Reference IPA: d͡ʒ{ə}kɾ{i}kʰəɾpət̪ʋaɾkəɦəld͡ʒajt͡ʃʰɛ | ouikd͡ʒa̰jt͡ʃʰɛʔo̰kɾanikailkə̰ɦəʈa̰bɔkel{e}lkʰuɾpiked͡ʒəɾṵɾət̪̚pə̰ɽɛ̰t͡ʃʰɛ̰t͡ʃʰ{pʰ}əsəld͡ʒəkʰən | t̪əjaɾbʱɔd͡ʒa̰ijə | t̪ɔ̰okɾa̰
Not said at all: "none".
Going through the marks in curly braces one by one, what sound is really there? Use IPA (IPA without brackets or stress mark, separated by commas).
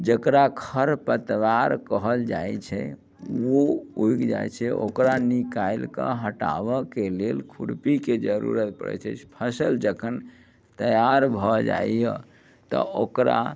ə, a, e, pʰ